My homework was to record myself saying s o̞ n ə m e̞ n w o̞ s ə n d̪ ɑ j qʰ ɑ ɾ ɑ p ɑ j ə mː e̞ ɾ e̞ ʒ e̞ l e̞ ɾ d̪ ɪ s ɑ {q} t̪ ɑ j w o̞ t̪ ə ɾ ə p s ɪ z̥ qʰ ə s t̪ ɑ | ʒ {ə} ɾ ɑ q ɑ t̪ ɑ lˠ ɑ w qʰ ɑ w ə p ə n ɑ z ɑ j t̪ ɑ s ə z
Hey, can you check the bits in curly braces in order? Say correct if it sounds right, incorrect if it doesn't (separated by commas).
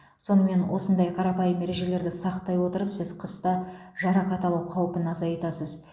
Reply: correct, incorrect